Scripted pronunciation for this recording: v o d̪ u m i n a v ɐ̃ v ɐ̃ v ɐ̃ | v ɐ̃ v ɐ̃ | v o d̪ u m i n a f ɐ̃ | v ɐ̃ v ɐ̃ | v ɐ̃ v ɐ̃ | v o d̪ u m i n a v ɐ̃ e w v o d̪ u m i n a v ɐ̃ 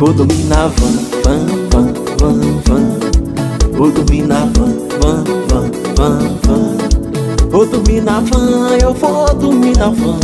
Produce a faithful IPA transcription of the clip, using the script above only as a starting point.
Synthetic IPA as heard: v o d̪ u m i n a v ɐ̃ v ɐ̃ v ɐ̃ | v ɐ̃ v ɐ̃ | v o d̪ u m i n a v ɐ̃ | v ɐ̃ v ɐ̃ | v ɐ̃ v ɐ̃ | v o d̪ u m i n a v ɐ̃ e w v o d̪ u m i n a v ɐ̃

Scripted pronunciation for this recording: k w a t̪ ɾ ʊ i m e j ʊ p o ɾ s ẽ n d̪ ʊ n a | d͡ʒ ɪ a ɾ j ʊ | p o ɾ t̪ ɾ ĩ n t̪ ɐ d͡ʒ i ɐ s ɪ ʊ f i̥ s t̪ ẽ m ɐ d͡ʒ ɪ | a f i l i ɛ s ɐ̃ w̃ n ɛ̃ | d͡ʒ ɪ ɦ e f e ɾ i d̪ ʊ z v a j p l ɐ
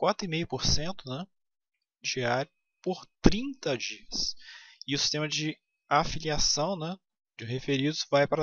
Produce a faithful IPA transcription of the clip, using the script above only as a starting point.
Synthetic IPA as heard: k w a t̪ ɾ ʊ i m e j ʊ p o ɾ s ẽ n t̪ ʊ n ɛ | d͡ʒ i a ɾ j ʊ | p o ɾ t̪ ɾ ĩ n t̪ ɐ d͡ʒ i ɐ s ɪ ʊ s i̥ s t̪ ẽ m ɐ d͡ʒ ɪ | a f i l i a s ɐ̃ w̃ n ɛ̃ | d͡ʒ ɪ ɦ e f e ɾ i d̪ ʊ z v a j p ɾ ɐ

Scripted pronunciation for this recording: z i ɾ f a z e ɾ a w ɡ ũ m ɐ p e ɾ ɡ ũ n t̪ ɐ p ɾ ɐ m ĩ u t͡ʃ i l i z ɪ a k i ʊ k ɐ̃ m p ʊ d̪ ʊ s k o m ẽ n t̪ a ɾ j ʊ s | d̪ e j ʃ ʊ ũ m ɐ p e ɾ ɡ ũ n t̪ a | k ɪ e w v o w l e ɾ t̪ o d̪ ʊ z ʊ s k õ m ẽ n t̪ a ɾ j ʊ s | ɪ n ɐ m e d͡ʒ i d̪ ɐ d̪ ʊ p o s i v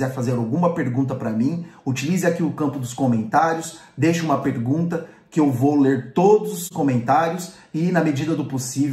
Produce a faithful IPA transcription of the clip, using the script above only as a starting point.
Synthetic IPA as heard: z ɛ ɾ f a z e ɾ a w ɡ ũ m ɐ p e ɾ ɡ ũ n t̪ ɐ p ɾ ɐ m ĩ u t͡ʃ i l i z ɪ a k i ʊ k ɐ̃ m p ʊ d̪ ʊ s k o m ẽ n t̪ a ɾ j ʊ s | d̪ e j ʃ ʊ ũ m ɐ p e ɾ ɡ ũ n t̪ ɐ | k ɪ e w v o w l e ɾ t̪ o d̪ ʊ z ʊ s k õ m ẽ n t̪ a ɾ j ʊ s | ɪ n ɐ m e d͡ʒ i d̪ ɐ d̪ ʊ p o s i v

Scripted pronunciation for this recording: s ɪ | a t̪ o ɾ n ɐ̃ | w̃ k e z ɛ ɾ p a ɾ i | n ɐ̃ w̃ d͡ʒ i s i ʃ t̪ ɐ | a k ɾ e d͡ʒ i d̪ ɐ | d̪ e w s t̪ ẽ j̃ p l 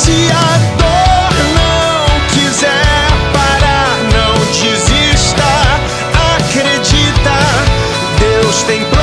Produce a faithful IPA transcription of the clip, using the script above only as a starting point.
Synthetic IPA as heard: s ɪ | a d̪ o ɾ n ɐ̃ | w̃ k i z ɛ ɾ p a ɾ a | n ɐ̃ w̃ d͡ʒ i z i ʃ t̪ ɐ | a k ɾ e d͡ʒ i t̪ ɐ | d̪ e w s t̪ ẽ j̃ p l

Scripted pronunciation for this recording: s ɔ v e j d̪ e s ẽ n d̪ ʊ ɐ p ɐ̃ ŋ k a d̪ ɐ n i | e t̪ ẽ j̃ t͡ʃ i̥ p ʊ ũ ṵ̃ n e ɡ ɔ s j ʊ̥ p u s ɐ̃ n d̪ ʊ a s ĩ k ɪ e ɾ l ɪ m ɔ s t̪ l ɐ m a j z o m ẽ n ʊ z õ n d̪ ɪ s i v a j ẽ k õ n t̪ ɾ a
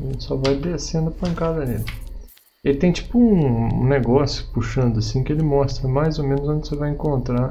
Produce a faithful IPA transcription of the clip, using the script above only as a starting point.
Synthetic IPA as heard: s ɔ v a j d̪ e s ẽ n d̪ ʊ ɐ p ɐ̃ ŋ k a d̪ ɐ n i | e t̪ ẽ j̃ t͡ʃ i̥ p ʊ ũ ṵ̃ n e ɡ ɔ s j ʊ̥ p u ʃ ɐ̃ n d̪ ʊ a s ĩ k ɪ e l ɪ m ɔ s t̪ ɾ ɐ m a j z o m ẽ n ʊ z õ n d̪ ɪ s e v a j ẽ k õ n t̪ ɾ a

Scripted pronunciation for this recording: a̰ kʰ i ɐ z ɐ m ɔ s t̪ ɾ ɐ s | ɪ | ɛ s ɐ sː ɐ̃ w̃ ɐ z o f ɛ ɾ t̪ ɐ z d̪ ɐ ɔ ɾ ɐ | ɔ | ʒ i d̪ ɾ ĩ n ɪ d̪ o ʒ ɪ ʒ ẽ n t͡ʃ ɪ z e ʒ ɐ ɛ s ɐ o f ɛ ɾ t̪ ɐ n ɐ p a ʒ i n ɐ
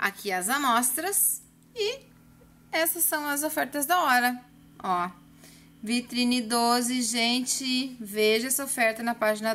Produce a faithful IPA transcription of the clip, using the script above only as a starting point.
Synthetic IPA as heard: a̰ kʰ i ɐ z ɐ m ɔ s t̪ ɾ ɐ s | ɪ | ɛ s ɐ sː ɐ̃ w̃ ɐ z o f ɛ ɾ t̪ ɐ z d̪ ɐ ɔ ɾ ɐ | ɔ | v i t̪ ɾ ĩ n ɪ d̪ o z ɪ ʒ ẽ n t͡ʃ ɪ v e ʒ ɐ ɛ s ɐ o f ɛ ɾ t̪ ɐ n ɐ p a ʒ i n ɐ

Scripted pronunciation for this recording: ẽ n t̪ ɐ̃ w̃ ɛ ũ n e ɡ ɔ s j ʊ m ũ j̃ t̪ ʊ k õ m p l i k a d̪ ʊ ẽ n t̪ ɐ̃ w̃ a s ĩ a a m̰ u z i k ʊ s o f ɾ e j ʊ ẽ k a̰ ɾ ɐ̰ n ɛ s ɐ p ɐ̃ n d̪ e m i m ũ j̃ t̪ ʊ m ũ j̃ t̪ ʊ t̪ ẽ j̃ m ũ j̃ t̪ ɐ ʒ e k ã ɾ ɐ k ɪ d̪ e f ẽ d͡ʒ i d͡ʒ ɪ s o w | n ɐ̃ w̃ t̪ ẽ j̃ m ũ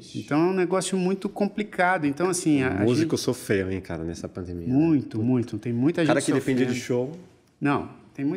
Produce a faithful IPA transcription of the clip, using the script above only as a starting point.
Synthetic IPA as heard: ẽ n t̪ ɐ̃ w̃ ɛ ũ n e ɡ ɔ s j ʊ m ũ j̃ t̪ ʊ k õ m p l i k a d̪ ʊ ẽ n t̪ ɐ̃ w̃ a s ĩ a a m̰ u z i k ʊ s o f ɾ e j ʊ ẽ k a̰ ɾ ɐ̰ n ɛ s ɐ p ɐ̃ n d̪ e m i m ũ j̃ t̪ ʊ m ũ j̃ t̪ ʊ t̪ ẽ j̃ m ũ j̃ t̪ ɐ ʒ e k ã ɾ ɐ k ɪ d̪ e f ẽ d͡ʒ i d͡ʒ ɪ ʃ o w | n ɐ̃ w̃ t̪ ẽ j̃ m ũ

